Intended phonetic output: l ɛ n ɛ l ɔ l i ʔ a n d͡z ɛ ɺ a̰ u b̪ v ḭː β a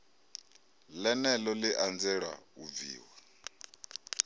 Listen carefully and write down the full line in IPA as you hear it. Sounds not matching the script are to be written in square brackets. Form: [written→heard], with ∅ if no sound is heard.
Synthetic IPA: l ɛ n ɛ l ɔ l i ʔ a n d͡z ɛ ɺ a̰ u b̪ v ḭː [β→w] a